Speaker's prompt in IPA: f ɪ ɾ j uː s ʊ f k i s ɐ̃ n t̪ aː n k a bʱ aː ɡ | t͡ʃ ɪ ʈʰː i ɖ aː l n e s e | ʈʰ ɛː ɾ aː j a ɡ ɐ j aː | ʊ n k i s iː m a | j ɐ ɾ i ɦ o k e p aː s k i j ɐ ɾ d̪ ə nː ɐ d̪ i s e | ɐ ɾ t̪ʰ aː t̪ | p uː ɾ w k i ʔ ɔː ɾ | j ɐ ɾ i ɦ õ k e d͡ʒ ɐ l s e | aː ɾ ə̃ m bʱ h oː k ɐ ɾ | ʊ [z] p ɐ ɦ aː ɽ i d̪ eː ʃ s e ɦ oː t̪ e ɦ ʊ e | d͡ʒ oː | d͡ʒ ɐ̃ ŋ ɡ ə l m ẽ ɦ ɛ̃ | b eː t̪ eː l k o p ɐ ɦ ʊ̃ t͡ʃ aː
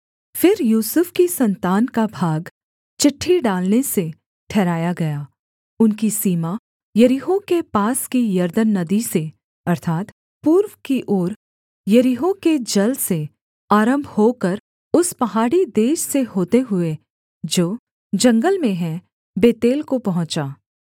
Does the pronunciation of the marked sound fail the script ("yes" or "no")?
yes